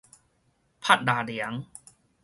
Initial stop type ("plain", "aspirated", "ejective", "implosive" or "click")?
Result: aspirated